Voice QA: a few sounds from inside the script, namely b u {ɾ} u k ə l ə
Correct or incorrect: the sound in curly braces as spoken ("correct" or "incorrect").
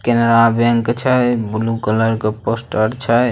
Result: incorrect